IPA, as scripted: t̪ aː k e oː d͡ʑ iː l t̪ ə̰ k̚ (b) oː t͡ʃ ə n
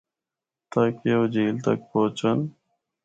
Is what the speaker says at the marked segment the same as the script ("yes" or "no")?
no